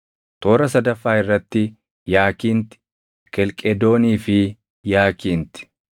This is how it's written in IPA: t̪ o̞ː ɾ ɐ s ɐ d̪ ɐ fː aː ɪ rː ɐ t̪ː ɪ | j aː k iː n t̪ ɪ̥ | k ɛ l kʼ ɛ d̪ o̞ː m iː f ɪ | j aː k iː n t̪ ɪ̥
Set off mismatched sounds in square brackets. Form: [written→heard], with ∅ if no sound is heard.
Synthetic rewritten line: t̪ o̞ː ɾ ɐ s ɐ d̪ ɐ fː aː ɪ rː ɐ t̪ː ɪ | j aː k iː n t̪ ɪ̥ | k ɛ l kʼ ɛ d̪ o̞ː [m→n] iː f ɪ | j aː k iː n t̪ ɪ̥